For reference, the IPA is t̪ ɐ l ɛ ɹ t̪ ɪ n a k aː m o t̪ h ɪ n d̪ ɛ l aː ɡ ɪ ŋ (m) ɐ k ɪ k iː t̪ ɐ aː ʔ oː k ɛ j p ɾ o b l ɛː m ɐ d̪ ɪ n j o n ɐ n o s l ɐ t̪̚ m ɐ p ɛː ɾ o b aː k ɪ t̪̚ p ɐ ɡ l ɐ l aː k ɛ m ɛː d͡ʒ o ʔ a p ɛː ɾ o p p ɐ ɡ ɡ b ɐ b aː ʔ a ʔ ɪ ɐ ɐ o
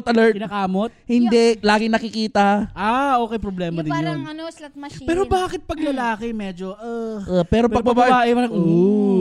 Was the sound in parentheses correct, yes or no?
no